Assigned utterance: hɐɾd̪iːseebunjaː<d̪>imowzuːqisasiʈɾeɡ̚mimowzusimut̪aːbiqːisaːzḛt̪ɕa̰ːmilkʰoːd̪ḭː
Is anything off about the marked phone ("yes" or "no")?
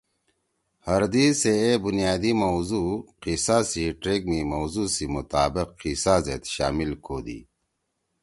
no